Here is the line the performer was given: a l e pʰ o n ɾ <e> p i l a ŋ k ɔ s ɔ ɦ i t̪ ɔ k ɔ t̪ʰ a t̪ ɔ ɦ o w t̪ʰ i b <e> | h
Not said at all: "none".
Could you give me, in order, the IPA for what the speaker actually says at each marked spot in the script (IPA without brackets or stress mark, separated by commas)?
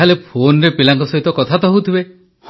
e, e